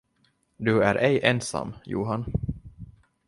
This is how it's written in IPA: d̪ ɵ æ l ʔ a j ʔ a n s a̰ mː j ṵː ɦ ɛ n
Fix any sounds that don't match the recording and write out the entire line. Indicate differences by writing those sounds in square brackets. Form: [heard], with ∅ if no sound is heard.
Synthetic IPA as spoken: d̪ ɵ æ [ɾ] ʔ [ɛ] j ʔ [ɛ] n s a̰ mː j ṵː ɦ [a] n